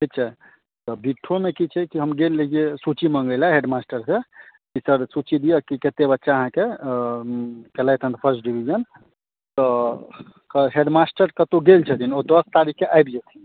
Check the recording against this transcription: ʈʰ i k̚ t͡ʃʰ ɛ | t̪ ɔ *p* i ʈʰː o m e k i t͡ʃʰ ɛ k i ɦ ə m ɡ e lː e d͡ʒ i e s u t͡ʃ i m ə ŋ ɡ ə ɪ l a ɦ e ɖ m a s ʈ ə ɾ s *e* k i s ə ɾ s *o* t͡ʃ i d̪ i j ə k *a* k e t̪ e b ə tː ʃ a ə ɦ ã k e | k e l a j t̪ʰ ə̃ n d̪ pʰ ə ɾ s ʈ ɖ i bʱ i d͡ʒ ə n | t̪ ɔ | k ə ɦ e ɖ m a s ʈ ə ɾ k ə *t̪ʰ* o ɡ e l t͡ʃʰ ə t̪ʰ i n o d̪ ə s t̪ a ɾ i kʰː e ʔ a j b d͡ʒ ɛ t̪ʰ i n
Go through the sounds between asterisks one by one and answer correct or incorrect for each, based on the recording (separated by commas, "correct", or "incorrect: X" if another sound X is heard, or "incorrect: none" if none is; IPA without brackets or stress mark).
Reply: incorrect: b, correct, incorrect: u, incorrect: i, incorrect: t̪